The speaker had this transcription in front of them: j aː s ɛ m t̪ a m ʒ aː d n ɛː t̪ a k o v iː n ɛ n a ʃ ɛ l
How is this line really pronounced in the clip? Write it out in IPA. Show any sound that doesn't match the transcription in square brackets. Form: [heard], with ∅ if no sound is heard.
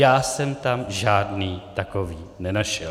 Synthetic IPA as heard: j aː s ɛ m t̪ a m ʒ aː d n [iː] t̪ a k o v iː n ɛ n a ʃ ɛ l